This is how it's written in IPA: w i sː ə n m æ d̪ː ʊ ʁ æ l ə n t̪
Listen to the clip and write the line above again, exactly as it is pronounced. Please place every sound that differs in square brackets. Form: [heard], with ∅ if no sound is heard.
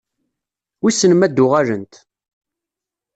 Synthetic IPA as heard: w i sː ə n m æ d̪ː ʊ ʁ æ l ə n t̪